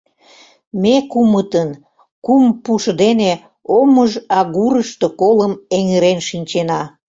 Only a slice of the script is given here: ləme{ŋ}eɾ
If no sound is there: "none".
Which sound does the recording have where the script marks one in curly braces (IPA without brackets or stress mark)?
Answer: ŋ